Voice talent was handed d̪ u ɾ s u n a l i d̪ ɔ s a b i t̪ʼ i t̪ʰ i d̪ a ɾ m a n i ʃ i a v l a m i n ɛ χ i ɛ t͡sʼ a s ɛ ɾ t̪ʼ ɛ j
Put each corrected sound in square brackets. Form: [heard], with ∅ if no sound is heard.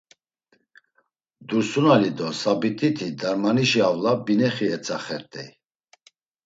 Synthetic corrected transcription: d̪ u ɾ s u n a l i d̪ ɔ s a b i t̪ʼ i t̪ʰ i d̪ a ɾ m a n i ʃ i a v l a [b] i n ɛ χ i ɛ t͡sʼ a [χ] ɛ ɾ t̪ʼ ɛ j